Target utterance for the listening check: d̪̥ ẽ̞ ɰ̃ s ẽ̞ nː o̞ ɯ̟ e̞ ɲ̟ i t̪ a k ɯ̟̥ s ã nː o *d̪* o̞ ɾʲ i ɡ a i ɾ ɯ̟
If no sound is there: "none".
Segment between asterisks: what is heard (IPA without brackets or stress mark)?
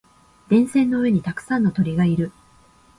t̪